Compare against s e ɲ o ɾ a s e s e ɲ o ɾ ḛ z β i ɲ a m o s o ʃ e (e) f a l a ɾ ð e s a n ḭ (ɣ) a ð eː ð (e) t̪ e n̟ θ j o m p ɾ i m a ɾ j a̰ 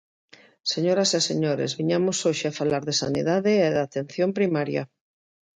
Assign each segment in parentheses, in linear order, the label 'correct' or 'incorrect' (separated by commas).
incorrect, incorrect, incorrect